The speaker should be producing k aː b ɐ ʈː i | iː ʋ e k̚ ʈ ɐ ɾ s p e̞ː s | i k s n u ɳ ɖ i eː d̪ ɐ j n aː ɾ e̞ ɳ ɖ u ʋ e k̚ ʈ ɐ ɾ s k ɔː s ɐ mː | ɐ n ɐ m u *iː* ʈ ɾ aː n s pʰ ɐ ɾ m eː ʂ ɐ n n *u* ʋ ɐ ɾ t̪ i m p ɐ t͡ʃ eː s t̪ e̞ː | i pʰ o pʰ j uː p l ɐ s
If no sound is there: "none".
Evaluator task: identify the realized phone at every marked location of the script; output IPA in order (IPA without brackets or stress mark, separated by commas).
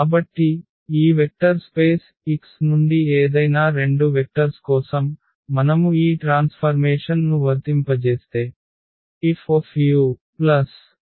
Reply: iː, u